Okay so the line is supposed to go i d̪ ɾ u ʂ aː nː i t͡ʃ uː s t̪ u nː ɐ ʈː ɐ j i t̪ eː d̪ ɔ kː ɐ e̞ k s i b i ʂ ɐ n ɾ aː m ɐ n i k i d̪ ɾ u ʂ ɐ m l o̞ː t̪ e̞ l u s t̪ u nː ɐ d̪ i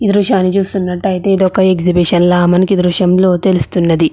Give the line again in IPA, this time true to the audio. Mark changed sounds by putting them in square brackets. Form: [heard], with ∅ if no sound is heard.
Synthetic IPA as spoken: i d̪ ɾ u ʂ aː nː i t͡ʃ uː s t̪ u nː ɐ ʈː ɐ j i t̪ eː d̪ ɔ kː ɐ e̞ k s i b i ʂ ɐ n [l] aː m ɐ n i k i d̪ ɾ u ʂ ɐ m l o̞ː t̪ e̞ l u s t̪ u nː ɐ d̪ i